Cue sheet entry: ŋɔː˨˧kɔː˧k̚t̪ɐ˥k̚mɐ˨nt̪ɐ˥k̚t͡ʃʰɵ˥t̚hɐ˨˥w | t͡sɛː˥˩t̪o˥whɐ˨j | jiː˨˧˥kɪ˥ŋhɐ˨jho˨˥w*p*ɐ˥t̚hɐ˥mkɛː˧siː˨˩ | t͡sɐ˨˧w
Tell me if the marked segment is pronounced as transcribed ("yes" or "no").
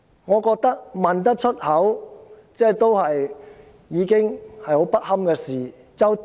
yes